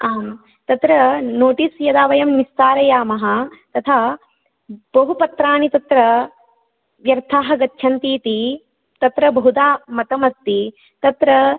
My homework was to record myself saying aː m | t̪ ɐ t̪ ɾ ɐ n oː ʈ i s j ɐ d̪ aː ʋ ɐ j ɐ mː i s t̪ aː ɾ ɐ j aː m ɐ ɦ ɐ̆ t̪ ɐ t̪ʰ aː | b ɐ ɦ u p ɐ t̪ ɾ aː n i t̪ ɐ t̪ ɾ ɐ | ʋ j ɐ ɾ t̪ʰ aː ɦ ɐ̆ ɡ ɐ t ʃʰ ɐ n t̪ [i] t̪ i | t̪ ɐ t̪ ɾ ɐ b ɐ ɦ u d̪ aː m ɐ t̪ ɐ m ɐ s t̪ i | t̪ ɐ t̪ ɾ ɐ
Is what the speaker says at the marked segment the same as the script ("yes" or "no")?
no